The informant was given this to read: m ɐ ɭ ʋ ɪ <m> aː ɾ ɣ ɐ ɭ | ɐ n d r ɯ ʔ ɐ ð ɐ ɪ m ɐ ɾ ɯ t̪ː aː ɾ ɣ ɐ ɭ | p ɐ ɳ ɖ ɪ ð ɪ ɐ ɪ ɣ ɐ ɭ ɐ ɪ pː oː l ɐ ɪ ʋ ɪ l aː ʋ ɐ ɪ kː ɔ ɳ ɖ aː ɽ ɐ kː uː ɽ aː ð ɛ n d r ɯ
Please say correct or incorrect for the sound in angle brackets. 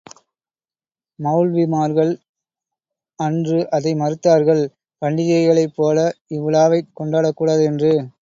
correct